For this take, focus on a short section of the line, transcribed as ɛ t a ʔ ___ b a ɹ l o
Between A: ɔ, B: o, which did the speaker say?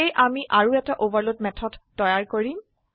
B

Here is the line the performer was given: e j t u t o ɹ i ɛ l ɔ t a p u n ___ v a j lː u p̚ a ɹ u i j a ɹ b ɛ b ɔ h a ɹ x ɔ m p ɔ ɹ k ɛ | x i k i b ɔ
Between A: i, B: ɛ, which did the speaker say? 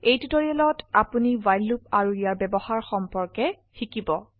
A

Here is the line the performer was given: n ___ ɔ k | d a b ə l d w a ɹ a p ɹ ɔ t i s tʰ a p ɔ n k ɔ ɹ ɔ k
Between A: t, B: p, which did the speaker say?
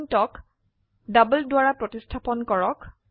A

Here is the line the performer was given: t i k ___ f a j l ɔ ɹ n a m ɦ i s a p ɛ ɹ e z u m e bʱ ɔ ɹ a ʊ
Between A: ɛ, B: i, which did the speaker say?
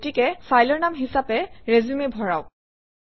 A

